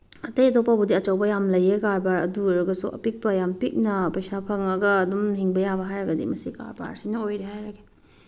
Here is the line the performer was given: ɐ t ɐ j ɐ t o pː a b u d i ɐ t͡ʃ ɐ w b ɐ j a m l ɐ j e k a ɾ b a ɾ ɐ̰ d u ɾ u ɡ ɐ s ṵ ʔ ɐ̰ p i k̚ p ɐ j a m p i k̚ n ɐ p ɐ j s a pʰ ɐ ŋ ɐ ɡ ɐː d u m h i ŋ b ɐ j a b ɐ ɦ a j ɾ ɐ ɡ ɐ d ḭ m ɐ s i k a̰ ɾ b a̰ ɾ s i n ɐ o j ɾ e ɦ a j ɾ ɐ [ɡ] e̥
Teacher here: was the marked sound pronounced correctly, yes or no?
yes